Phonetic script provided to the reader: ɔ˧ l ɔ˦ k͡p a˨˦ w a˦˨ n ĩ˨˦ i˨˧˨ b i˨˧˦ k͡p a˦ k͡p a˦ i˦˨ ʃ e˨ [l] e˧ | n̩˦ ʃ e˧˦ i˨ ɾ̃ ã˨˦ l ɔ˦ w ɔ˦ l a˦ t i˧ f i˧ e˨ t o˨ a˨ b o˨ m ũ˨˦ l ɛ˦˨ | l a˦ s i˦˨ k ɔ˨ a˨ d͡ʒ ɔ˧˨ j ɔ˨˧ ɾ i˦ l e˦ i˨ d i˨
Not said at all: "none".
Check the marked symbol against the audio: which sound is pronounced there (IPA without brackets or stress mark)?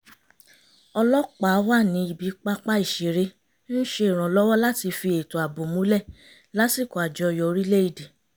ɾ